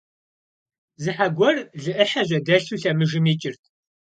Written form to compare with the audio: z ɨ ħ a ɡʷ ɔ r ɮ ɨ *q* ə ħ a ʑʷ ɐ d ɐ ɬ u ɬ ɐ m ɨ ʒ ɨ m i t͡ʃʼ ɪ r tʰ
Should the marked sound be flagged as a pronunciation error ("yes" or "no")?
yes